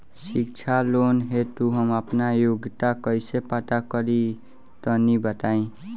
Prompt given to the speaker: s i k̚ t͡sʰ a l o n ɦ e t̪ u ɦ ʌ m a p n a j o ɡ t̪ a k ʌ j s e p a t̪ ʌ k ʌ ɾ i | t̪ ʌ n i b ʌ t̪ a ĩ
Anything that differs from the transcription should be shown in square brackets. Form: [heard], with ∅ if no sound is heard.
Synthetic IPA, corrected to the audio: s i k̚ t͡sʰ a l o n ɦ e t̪ u ɦ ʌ m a p n a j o ɡ t̪ a k ʌ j s e p a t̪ [a] k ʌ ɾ i | t̪ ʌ n i b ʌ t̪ a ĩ